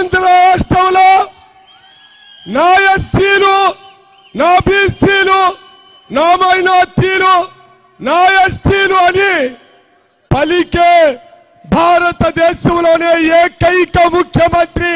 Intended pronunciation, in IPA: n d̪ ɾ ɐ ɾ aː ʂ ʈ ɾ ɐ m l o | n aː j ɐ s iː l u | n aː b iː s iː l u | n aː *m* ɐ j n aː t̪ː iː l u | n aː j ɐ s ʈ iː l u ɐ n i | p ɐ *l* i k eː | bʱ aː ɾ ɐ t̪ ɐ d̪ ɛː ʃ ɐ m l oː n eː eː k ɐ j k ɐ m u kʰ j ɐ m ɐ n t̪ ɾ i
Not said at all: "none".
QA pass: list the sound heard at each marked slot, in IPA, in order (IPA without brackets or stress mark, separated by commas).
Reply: m, l